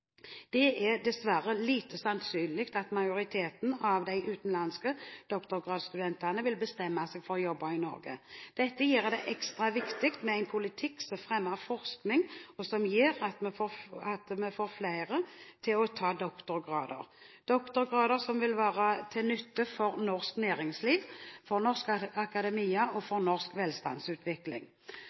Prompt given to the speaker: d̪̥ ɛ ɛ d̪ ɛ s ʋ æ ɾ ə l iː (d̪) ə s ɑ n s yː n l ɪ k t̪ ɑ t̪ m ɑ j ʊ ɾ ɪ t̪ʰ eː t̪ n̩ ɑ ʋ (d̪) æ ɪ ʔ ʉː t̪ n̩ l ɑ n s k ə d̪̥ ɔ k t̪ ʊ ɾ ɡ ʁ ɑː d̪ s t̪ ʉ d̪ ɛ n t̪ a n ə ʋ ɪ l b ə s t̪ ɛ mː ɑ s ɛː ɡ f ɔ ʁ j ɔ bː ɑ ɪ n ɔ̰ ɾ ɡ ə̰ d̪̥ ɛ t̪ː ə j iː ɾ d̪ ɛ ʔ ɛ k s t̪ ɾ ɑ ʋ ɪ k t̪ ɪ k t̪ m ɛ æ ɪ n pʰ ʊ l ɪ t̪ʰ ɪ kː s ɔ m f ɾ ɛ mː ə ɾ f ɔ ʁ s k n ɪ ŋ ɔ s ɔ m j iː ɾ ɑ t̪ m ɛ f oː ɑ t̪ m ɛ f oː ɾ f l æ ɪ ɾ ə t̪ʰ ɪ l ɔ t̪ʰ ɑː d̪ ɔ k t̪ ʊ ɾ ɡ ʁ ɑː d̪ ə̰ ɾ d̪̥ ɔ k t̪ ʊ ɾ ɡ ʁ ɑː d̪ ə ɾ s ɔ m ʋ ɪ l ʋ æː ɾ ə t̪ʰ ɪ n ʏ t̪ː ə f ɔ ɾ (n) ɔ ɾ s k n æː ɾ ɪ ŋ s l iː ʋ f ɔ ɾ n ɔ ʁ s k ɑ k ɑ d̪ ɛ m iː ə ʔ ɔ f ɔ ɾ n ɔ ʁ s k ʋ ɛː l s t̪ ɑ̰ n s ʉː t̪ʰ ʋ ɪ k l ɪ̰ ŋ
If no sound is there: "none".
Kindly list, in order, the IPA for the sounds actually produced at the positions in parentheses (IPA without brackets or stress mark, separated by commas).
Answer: t̪, d̪, n